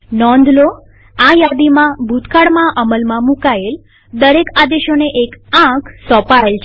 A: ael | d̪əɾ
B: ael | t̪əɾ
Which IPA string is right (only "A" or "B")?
A